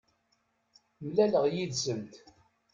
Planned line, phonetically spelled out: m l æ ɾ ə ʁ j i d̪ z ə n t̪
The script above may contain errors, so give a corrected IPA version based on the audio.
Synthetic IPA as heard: m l æ l ə ʁ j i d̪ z ə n t̪